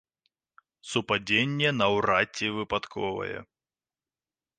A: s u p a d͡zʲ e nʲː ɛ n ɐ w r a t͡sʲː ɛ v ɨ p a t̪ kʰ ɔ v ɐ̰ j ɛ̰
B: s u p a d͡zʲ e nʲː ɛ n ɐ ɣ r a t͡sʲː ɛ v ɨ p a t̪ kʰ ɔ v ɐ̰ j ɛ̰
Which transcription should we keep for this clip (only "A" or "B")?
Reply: A